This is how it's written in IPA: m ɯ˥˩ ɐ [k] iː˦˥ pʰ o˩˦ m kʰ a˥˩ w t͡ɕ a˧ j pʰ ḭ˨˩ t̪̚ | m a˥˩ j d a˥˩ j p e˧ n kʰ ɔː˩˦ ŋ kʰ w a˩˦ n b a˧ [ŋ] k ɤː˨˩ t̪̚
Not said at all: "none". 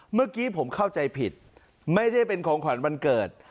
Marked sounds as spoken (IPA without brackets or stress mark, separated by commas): k, n